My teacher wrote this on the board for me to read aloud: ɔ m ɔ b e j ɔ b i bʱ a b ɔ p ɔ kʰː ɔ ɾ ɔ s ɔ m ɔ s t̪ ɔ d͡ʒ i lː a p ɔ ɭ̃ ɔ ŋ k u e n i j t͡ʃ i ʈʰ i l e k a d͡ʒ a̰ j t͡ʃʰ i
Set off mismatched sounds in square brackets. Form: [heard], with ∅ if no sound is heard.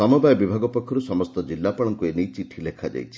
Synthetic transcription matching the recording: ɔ m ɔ b [a] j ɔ b i bʱ a [ɡ] ɔ p ɔ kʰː ɔ ɾ [u] s ɔ m ɔ s t̪ ɔ d͡ʒ i lː a p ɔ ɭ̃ ɔ ŋ k u e n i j t͡ʃ i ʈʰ i l e [kʰ] a d͡ʒ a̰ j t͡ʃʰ i